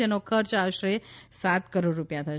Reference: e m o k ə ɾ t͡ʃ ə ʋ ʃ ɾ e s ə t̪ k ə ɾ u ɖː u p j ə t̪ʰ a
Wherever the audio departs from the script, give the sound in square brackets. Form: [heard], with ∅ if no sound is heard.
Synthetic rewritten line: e [n] o [kʰ] ə ɾ t͡ʃ [a] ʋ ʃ ɾ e s [a] t̪ k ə ɾ [o] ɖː u p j [a] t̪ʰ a